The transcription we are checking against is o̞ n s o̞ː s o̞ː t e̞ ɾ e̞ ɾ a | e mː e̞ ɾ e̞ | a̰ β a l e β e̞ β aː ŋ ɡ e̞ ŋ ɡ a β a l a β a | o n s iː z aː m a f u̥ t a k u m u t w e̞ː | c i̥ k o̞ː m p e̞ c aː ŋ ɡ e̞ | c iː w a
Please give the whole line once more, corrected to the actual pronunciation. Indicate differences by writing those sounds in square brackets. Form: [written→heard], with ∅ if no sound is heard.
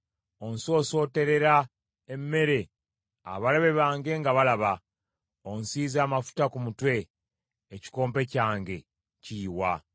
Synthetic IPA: o̞ n s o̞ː s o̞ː t e̞ ɾ e̞ ɾ a | e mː e̞ ɾ e̞ | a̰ β a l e β e̞ β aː ŋ ɡ e̞ ŋ ɡ a β a l a β a | o n s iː z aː m a f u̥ t a k u m u t w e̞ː | c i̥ k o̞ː m p e̞ c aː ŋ ɡ e̞ | c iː w a